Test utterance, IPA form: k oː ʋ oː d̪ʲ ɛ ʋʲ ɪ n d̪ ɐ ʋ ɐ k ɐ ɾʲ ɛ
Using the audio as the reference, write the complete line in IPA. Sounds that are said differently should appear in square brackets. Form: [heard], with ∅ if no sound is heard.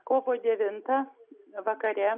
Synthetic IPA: k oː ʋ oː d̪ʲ ɛ ʋʲ ɪ n [t̪] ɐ ʋ ɐ k ɐ ɾʲ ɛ